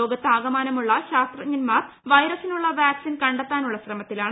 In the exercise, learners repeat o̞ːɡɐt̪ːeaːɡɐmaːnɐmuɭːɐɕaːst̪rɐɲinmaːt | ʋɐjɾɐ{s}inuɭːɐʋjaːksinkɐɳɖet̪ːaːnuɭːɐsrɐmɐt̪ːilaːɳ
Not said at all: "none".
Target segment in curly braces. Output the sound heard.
s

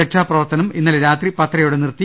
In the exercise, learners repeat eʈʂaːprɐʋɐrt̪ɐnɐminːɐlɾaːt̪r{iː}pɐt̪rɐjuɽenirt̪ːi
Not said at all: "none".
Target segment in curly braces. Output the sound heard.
i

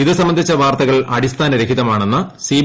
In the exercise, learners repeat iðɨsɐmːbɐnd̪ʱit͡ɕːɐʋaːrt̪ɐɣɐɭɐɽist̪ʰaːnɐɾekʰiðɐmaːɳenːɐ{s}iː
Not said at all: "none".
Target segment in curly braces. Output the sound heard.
s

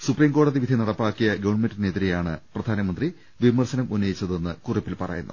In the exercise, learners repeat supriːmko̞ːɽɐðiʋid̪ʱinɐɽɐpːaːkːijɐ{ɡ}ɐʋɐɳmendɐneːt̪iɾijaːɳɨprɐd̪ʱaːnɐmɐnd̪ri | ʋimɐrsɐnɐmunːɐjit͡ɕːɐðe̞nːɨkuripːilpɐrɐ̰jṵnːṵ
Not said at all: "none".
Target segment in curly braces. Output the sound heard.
ɡ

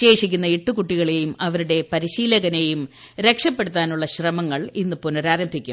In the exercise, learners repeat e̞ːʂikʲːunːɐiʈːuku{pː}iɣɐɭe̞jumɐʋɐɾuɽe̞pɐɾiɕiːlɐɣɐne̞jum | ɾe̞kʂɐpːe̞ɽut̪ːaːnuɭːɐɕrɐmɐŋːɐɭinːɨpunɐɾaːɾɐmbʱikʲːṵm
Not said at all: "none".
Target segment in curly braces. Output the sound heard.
ʈː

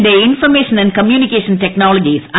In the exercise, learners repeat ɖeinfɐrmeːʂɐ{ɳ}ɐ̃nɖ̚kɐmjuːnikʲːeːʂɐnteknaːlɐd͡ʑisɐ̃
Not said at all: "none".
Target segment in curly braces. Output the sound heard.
n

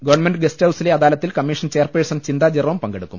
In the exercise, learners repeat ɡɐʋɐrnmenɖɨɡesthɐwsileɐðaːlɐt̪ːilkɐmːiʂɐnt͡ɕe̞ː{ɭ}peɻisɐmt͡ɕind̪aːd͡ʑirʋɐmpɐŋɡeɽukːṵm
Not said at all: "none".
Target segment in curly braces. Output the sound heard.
r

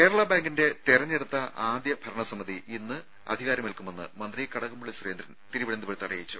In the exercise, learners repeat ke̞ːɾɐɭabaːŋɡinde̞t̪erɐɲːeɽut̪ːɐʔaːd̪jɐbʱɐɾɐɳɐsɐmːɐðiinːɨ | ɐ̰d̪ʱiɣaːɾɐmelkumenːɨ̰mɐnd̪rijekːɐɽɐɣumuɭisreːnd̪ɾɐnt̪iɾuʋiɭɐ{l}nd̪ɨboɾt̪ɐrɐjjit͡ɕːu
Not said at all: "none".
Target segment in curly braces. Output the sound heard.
none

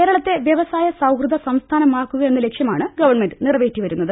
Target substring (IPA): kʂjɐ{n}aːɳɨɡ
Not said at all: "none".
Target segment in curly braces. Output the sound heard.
m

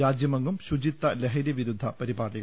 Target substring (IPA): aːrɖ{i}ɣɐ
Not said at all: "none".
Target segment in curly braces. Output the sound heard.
i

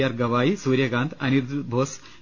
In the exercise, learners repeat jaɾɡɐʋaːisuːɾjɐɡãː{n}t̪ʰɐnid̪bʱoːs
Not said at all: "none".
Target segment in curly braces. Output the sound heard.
n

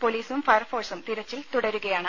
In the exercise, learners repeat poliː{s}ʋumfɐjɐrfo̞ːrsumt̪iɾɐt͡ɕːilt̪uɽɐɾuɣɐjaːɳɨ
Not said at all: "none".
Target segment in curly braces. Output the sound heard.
s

